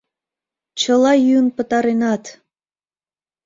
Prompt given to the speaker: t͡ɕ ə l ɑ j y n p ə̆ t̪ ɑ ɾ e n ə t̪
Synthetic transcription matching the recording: t͡ɕ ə l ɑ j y n p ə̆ t̪ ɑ ɾ e n ɑ t̪

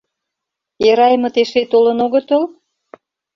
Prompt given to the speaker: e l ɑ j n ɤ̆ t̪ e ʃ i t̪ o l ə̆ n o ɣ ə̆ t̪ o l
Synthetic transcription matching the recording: e ɾ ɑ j m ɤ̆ t̪ e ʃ e t̪ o l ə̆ n o ɣ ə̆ t̪ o l

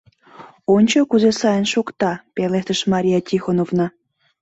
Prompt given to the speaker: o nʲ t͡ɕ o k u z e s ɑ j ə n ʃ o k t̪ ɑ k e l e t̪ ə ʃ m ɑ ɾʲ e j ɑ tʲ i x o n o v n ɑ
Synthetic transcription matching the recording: o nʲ t͡ɕ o k u z e s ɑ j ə n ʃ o k t̪ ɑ p e l e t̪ ə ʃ m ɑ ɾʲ i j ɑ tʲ i x o n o v n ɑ

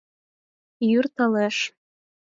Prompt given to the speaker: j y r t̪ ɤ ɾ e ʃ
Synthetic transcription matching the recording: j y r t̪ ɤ l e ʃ

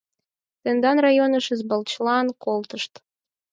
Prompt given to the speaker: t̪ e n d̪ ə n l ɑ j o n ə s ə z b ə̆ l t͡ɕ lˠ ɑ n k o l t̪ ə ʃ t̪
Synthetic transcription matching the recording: t̪ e n d̪ ɑ n r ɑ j o n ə ʃ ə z b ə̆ l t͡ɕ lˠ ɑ n k o l t̪ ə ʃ t̪

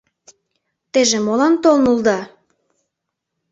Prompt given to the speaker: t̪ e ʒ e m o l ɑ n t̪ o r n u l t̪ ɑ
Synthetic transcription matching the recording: t̪ e ʒ e m o l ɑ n t̪ o l n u l d̪ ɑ

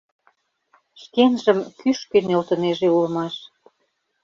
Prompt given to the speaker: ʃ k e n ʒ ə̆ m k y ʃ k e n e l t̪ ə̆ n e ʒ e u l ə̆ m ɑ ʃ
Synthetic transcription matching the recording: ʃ k e n ʒ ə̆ m k y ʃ k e n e l t̪ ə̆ n e ʒ e u l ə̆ m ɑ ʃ

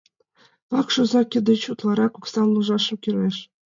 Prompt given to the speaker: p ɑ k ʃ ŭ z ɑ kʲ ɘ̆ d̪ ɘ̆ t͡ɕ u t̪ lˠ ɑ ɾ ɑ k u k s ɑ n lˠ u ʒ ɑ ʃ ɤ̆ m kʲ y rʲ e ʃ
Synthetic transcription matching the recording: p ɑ k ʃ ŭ z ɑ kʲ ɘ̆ d̪ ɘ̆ t͡ɕ u t̪ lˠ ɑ ɾ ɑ k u k s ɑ n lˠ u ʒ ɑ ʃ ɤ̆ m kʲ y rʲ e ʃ

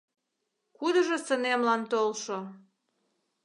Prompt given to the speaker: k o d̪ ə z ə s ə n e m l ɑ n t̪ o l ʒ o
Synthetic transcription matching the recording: k u d̪ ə ʒ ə s ə n e m l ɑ n t̪ o l ʃ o

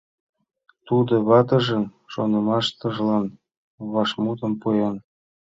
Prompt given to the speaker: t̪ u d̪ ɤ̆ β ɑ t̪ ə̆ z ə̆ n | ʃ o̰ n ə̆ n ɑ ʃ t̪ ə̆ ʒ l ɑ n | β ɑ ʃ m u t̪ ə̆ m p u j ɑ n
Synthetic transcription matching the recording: t̪ u d̪ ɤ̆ β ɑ t̪ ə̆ ʒ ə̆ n | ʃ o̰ n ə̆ m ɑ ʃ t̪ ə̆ ʒ l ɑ n | β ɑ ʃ m u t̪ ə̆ m p u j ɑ n

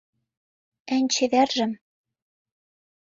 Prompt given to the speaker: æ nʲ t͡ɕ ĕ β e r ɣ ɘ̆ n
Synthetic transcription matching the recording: æ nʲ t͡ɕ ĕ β æ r ʒ ɘ̆ m

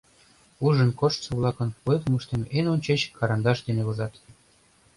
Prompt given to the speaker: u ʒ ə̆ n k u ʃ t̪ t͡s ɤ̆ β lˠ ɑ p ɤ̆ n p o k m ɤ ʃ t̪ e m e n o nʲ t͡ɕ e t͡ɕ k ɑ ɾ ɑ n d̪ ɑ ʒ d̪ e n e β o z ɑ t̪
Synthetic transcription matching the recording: u ʒ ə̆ n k o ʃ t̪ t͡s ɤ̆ β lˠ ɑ k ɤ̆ n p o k m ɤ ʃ t̪ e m e n o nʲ t͡ɕ e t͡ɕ k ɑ ɾ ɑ n d̪ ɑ ʃ d̪ e n e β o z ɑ t̪

